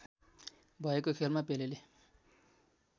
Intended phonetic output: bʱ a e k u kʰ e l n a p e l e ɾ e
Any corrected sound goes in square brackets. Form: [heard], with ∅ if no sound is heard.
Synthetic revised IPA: bʱ [ʌ] e k [o] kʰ e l [m] a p e l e [l] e